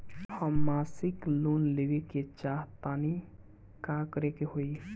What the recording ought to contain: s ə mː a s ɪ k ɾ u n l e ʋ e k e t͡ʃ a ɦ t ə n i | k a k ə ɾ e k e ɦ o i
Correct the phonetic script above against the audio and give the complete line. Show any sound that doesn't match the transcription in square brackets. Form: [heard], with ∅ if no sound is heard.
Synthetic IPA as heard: [h] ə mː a s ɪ k [l] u n l e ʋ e k e t͡ʃ a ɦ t [a] n i | k a k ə ɾ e k e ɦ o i